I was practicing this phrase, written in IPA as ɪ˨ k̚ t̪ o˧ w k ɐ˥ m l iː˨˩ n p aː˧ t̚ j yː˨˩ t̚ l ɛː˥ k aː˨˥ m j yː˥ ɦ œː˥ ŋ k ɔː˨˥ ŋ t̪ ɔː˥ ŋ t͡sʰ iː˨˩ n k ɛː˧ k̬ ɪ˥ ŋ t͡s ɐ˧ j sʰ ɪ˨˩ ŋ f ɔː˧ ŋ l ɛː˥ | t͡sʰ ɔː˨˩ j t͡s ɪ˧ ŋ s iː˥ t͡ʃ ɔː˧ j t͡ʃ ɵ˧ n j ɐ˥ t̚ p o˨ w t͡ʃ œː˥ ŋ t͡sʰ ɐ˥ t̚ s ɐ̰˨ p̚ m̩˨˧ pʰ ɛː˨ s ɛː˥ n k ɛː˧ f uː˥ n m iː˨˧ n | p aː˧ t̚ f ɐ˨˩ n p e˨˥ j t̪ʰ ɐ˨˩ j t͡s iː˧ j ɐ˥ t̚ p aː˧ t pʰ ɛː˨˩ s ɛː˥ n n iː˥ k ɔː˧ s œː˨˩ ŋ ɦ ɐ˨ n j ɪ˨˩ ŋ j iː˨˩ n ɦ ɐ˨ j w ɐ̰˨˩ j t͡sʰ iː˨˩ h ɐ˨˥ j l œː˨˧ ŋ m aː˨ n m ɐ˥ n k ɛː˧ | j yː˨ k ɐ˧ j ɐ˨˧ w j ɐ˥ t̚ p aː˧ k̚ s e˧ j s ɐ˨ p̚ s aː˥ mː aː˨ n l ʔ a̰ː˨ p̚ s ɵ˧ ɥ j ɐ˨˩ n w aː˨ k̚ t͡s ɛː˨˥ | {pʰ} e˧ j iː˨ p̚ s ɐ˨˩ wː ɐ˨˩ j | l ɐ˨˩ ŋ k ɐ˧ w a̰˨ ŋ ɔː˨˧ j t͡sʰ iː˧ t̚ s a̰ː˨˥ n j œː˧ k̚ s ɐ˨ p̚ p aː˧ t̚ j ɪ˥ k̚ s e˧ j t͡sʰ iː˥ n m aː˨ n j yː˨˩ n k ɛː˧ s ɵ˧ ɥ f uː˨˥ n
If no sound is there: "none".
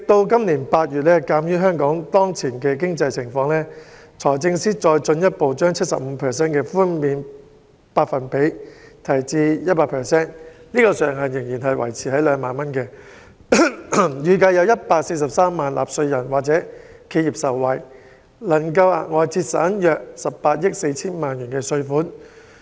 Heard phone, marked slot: kʰ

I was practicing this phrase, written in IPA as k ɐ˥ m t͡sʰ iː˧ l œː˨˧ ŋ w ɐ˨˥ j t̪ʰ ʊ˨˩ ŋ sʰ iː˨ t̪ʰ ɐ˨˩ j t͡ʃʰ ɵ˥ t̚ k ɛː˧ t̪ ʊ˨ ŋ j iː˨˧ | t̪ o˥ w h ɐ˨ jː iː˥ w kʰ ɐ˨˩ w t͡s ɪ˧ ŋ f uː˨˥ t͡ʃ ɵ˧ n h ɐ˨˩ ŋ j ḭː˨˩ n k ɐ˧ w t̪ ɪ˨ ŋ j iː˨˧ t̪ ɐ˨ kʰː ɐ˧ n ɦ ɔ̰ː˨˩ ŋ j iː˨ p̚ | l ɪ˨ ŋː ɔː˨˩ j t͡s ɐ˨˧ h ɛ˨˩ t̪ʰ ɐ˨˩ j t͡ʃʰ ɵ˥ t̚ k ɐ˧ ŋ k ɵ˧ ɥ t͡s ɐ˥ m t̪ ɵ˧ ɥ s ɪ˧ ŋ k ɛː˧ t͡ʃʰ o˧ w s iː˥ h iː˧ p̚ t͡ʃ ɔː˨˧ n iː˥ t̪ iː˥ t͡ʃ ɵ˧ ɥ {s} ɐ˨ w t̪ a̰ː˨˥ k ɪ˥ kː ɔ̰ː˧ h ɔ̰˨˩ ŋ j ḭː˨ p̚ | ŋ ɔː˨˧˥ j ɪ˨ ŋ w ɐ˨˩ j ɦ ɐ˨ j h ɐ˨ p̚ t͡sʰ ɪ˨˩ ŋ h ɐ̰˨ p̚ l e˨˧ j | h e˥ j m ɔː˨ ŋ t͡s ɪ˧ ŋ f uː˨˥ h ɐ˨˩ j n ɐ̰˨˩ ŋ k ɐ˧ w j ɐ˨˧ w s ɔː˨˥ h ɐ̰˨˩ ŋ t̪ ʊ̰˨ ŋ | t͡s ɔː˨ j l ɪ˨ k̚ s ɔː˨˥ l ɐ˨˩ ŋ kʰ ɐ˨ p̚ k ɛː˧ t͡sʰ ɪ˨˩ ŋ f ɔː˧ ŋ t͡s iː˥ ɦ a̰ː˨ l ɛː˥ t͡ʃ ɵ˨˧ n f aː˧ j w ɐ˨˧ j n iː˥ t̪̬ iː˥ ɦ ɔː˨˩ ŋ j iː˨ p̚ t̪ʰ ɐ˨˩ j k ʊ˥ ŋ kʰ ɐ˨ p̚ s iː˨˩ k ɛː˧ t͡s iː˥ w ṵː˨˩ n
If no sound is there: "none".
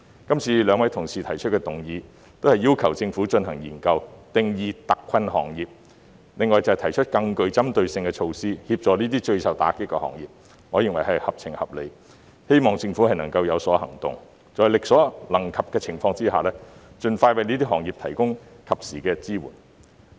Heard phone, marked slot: s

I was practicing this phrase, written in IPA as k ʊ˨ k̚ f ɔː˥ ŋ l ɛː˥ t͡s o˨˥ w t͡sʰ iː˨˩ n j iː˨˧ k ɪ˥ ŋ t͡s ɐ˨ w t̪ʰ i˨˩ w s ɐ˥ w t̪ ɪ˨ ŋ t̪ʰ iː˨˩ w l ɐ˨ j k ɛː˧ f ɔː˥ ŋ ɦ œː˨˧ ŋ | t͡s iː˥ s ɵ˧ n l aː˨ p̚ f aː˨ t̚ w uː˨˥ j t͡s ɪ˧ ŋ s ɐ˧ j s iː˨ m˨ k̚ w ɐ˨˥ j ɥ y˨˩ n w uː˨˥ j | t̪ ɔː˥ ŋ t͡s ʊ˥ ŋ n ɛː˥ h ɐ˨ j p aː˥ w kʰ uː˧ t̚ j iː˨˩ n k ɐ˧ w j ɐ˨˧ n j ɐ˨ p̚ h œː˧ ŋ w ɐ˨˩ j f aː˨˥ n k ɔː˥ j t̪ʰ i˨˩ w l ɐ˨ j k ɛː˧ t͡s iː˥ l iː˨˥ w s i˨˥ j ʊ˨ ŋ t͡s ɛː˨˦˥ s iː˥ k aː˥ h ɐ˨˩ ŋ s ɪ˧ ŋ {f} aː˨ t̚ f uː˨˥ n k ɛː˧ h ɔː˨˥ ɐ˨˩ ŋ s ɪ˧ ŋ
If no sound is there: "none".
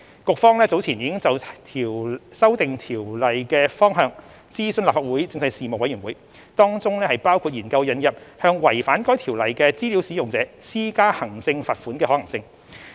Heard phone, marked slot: f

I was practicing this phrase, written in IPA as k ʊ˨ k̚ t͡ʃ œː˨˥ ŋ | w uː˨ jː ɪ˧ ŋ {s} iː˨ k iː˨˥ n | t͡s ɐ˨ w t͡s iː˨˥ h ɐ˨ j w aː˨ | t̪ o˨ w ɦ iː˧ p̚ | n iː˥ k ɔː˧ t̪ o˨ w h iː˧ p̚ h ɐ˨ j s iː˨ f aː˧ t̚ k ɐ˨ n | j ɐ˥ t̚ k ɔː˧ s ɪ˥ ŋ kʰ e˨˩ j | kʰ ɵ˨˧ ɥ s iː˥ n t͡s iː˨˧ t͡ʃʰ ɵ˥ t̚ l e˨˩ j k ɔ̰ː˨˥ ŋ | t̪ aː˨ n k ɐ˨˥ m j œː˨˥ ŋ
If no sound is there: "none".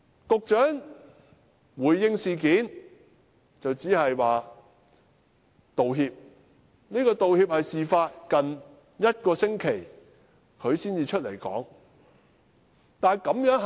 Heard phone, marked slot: s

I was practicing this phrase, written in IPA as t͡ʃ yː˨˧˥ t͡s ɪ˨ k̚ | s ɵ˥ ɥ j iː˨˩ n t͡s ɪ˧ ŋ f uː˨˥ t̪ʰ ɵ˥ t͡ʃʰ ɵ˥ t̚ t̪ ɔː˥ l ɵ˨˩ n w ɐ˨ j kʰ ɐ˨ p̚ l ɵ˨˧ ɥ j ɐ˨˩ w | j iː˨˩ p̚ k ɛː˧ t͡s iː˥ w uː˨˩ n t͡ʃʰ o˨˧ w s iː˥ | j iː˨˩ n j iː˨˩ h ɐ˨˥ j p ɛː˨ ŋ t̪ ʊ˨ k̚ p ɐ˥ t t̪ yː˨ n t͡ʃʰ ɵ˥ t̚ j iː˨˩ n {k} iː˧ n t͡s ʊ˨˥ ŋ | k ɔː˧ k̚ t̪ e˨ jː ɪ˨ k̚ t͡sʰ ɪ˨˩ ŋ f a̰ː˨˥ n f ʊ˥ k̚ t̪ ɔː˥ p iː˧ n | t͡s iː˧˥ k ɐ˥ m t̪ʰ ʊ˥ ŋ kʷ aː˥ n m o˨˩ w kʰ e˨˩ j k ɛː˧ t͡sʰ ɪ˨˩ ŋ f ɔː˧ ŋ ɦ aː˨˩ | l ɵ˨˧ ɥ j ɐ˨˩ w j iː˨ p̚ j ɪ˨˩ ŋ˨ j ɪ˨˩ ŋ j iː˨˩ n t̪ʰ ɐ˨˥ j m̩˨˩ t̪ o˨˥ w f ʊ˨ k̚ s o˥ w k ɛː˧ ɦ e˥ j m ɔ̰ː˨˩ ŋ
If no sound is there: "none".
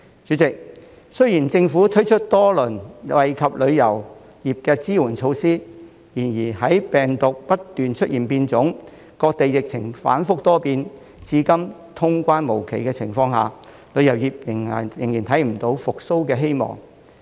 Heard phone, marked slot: p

